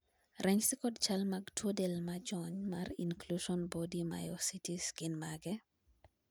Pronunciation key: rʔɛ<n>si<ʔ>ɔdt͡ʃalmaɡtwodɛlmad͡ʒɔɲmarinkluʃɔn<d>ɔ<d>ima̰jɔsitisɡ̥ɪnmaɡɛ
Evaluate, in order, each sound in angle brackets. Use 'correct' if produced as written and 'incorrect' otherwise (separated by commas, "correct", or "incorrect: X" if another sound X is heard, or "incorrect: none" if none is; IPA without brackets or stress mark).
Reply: incorrect: ɲ, incorrect: k, incorrect: b, correct